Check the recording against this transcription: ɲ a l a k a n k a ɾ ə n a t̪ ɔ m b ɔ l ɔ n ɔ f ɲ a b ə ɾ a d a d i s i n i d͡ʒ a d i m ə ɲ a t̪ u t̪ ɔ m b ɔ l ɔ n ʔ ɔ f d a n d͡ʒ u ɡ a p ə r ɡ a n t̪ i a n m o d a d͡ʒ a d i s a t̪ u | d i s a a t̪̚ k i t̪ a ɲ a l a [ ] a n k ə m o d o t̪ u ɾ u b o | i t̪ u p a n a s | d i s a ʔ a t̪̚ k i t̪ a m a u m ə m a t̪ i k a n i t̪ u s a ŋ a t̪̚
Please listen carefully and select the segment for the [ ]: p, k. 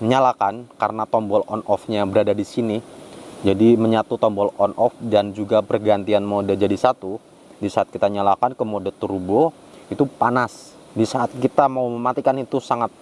k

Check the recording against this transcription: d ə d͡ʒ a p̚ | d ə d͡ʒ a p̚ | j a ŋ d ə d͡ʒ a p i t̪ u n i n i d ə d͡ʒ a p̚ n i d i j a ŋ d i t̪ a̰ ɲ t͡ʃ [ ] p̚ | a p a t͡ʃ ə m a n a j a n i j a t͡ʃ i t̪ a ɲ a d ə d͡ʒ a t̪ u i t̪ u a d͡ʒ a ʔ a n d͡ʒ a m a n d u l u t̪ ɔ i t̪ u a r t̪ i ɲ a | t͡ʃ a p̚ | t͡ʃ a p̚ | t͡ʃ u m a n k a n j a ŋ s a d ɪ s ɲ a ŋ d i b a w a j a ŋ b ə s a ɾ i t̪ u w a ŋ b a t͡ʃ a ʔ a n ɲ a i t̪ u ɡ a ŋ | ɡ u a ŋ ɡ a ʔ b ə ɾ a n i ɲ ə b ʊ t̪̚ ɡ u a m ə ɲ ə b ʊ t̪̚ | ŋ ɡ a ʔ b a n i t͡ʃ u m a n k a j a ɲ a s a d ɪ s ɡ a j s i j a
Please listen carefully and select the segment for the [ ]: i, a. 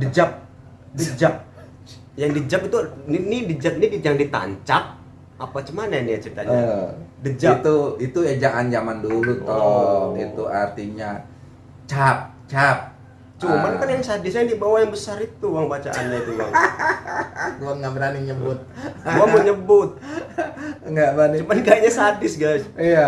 a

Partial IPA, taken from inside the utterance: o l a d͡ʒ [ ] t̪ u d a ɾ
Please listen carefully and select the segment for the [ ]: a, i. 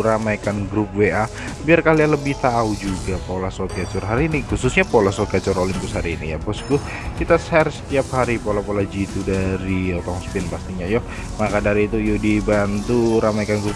i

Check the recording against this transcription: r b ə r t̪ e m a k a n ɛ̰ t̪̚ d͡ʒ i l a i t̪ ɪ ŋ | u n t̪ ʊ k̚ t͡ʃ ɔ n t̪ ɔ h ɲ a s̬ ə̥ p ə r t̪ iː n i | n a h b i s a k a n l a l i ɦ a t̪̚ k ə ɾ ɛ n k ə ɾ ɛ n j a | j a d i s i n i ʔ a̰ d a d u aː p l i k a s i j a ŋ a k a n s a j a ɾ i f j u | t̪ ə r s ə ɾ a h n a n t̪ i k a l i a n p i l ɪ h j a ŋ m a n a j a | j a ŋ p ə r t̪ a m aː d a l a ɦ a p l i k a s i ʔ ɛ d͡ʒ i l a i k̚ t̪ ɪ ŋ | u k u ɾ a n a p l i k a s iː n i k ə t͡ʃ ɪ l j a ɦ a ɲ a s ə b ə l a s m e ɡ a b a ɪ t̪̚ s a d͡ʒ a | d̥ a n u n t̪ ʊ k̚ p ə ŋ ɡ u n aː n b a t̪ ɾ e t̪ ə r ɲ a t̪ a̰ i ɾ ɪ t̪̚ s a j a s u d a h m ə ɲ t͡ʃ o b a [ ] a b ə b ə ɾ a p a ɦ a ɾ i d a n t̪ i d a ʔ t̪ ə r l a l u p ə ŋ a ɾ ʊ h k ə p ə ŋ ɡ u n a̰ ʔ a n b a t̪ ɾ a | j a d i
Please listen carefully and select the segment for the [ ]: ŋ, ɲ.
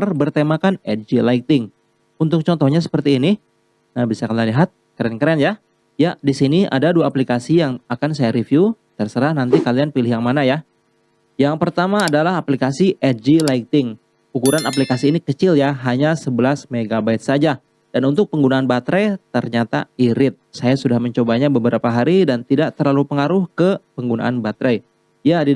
ɲ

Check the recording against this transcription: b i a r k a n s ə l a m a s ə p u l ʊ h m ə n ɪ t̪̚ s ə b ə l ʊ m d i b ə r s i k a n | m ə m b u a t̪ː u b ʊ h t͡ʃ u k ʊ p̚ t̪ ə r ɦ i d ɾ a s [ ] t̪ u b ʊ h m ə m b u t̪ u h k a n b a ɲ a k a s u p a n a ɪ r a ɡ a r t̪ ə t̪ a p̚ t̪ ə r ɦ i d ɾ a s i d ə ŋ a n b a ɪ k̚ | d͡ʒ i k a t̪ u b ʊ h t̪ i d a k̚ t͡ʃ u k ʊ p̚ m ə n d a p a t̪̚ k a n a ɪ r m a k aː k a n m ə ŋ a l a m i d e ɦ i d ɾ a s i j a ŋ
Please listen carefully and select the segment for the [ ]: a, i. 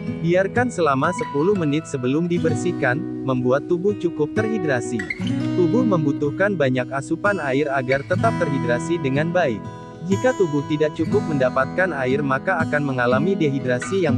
i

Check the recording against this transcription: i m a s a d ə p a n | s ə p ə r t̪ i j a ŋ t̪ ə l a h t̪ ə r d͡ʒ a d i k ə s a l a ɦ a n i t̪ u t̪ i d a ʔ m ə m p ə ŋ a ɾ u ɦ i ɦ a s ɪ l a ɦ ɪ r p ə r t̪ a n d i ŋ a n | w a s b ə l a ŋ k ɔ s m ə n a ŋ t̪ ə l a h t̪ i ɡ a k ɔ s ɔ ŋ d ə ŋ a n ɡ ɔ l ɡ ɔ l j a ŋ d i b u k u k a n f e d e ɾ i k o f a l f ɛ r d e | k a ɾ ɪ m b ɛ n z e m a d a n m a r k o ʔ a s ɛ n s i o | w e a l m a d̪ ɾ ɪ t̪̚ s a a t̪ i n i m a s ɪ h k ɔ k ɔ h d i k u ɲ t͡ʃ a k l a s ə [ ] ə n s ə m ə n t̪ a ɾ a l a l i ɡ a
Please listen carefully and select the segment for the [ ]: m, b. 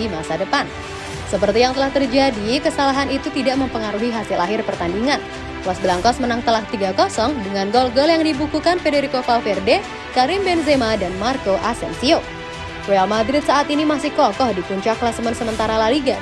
m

